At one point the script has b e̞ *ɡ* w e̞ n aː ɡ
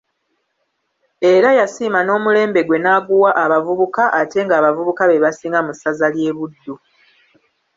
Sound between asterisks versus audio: correct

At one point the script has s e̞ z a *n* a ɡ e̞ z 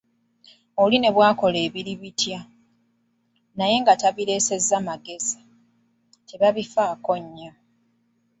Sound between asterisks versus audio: incorrect: m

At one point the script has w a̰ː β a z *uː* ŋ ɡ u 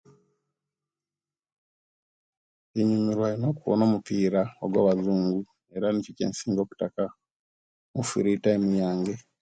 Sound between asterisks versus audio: correct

